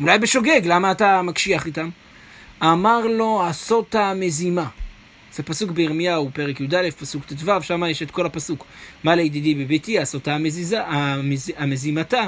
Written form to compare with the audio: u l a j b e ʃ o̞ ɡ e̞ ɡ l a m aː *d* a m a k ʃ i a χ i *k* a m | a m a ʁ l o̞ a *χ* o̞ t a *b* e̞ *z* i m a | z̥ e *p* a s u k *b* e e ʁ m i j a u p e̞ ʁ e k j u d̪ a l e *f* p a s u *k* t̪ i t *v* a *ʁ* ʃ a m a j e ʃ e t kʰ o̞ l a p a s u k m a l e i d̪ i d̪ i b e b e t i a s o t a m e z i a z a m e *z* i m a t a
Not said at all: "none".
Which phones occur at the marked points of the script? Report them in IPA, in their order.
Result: t, t, s, m, z, p, b, f, k, v, v, z

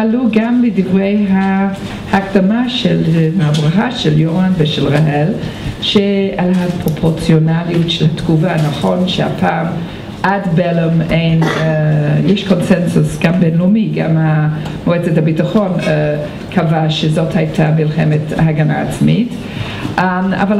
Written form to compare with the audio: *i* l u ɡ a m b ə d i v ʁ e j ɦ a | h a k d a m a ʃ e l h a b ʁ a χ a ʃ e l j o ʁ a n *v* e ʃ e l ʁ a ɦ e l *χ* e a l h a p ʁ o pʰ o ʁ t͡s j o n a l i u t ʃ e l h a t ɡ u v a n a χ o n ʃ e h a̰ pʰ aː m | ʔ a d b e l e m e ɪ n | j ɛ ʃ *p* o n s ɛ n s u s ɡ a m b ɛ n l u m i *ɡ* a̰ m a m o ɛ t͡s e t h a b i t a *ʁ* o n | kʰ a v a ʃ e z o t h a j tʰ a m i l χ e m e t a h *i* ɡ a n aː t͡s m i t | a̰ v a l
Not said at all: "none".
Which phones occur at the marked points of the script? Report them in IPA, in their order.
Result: a, v, ʃ, k, ɡ, χ, a

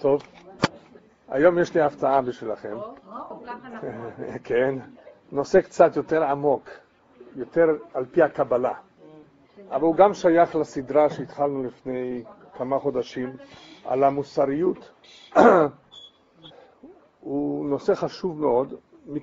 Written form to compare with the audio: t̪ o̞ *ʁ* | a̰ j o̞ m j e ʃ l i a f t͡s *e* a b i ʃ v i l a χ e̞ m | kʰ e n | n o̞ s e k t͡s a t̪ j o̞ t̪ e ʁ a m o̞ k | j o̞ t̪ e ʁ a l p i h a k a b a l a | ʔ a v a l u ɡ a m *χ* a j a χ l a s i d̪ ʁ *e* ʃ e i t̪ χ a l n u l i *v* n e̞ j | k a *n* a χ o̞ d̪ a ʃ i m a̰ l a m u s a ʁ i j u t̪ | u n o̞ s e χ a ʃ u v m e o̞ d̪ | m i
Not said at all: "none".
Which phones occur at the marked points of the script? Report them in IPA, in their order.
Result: v, a, ʃ, a, f, m

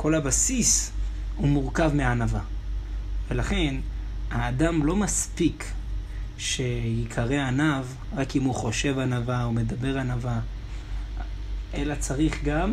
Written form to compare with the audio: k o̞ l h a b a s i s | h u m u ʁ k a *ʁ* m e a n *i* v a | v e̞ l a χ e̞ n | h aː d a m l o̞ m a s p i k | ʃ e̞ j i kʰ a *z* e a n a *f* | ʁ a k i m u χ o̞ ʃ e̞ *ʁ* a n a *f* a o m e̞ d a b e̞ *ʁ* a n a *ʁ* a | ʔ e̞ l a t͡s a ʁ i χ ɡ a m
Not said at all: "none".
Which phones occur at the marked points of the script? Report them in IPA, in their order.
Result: v, a, ʁ, v, v, v, ʁ, v

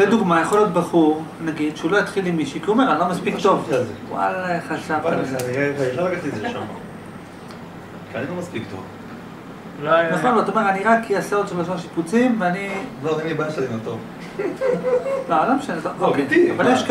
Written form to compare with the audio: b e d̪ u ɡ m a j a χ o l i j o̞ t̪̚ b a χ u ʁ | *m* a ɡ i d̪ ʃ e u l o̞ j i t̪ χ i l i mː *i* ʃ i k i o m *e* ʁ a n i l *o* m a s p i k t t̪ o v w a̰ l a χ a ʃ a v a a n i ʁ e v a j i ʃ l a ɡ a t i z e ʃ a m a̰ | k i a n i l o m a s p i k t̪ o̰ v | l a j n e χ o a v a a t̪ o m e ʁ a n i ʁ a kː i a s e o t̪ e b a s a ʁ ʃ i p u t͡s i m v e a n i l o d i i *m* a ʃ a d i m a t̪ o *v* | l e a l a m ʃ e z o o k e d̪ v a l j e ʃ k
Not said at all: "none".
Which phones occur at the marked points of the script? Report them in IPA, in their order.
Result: n, i, e, o, b, v

